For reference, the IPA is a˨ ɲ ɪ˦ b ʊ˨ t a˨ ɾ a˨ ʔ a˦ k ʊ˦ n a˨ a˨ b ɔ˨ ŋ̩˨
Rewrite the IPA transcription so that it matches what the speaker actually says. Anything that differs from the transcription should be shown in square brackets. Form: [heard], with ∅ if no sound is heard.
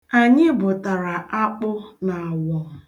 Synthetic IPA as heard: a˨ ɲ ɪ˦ b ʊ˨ t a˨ ɾ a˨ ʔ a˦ [k͡p] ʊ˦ n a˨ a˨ [w] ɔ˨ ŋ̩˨

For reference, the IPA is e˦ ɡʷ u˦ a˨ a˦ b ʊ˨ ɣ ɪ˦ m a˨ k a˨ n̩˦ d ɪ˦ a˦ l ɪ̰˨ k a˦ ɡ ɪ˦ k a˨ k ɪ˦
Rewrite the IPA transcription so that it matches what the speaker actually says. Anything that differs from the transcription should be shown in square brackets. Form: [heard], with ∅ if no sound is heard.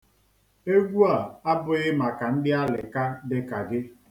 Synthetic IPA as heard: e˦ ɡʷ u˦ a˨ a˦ b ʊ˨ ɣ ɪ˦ m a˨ k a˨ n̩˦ d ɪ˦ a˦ l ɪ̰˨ k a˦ [d] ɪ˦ k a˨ [ɡ] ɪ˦

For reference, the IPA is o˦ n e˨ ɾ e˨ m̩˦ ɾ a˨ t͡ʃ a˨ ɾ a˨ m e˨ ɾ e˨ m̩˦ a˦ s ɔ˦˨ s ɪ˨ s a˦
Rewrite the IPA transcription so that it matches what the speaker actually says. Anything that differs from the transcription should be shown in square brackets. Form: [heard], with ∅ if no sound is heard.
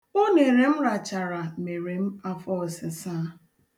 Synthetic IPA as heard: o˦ n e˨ ɾ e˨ m̩˦ ɾ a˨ t͡ʃ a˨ ɾ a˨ m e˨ ɾ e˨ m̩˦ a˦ [f] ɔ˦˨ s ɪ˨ s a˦

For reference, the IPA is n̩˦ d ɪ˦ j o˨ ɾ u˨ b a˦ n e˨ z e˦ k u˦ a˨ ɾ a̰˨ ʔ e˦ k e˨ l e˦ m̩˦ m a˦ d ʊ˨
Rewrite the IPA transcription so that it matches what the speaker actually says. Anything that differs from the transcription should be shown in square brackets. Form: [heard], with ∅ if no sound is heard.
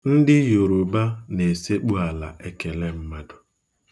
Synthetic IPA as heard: n̩˦ d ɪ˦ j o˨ ɾ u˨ b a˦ n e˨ [s] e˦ [k͡p] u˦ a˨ [l] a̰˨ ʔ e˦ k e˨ l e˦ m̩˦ m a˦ d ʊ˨

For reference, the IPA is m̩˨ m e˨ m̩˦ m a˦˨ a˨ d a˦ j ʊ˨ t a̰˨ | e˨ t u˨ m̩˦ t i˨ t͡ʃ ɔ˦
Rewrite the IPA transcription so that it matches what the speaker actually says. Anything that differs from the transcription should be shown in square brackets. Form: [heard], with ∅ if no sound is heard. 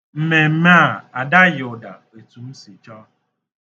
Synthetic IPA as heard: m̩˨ m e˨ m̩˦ m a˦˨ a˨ d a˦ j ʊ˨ [d] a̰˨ | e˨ t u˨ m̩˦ [s] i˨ t͡ʃ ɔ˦

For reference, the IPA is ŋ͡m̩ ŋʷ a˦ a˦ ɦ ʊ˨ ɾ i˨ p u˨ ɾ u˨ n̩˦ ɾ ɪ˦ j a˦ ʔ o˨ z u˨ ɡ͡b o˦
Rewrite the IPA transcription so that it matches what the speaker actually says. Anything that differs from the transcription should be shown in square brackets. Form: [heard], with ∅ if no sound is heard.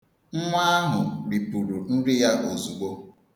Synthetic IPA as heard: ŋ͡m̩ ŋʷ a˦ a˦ ɦ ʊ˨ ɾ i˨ p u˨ ɾ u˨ n̩˦ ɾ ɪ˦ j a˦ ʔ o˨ z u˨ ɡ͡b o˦

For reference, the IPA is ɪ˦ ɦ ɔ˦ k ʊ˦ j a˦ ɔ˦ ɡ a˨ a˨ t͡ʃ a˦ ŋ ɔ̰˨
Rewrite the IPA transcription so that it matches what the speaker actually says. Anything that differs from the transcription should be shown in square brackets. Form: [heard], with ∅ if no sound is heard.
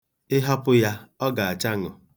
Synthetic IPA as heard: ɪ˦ ɦ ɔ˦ [p] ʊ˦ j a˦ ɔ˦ ɡ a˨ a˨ t͡ʃ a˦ ŋ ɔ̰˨

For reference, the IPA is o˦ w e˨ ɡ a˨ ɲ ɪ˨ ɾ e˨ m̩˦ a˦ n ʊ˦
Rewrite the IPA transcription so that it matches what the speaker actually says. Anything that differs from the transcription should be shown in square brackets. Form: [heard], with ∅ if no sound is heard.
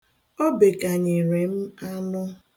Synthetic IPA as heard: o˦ [b] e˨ [k] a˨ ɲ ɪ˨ ɾ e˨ m̩˦ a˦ n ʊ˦

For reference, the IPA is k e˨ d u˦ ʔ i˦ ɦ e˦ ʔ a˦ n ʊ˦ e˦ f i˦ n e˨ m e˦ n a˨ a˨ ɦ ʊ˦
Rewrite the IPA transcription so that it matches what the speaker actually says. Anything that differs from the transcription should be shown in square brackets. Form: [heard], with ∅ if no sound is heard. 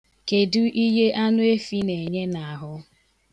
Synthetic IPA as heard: k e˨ d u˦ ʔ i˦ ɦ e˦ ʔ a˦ n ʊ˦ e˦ f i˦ n e˨ [ɲ] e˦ n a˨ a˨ ɦ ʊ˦

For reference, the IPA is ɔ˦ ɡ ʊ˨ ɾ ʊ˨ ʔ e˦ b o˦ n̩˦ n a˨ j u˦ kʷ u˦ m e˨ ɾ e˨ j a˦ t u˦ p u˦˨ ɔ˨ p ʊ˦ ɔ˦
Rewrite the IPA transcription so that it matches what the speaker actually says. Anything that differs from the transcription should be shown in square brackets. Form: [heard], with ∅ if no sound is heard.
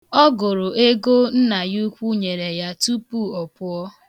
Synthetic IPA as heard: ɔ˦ ɡ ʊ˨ ɾ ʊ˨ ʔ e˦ [ɡ] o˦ n̩˦ n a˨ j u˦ kʷ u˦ [ɲ] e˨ ɾ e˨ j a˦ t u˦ p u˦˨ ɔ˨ p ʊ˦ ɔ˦

